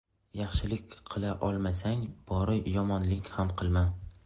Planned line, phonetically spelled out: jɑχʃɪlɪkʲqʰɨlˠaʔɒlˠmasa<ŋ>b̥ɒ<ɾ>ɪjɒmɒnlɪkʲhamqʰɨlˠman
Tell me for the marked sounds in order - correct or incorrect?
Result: correct, correct

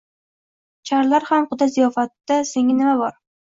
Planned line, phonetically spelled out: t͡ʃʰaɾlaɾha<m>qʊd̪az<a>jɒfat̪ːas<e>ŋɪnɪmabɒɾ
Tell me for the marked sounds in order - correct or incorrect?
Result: correct, incorrect: i, correct

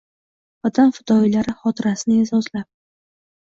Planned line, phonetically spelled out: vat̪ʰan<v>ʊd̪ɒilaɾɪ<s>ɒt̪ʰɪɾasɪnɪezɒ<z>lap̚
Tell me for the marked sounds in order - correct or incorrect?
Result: incorrect: f, incorrect: χ, correct

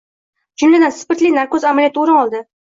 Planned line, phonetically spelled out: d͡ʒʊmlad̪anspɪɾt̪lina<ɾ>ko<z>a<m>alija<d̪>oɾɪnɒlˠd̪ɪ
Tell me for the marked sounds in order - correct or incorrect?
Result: correct, correct, correct, incorrect: t̪

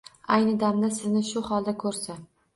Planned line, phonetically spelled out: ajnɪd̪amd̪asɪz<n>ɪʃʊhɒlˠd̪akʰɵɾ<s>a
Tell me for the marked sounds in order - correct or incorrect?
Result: correct, correct

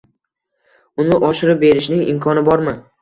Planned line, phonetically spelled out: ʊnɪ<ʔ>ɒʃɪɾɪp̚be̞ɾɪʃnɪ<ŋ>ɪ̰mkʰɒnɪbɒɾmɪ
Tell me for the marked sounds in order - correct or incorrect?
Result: correct, correct

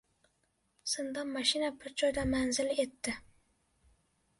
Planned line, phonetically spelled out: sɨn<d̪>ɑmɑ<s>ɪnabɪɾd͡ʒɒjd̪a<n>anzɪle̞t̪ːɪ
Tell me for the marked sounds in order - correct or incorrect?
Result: correct, incorrect: ʃ, incorrect: m

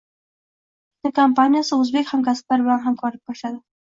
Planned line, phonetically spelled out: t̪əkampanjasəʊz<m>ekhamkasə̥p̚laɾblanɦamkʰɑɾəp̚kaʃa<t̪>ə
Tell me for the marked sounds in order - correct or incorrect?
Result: incorrect: b, incorrect: d̪

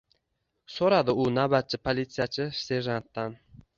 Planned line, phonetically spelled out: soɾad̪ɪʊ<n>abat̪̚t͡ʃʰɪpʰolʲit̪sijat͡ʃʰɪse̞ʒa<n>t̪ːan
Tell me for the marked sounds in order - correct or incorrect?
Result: correct, correct

